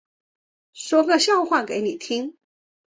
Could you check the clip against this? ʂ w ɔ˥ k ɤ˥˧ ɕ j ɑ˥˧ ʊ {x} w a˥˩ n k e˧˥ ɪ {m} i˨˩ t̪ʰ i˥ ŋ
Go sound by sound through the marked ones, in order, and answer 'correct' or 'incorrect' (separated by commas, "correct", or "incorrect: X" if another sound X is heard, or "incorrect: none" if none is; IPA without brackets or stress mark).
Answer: correct, incorrect: n